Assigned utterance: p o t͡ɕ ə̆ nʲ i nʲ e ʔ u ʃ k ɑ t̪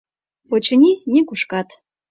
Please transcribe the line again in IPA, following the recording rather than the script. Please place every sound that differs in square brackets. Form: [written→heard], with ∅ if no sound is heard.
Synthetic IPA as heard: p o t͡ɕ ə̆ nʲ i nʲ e [ʔ→k] u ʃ k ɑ t̪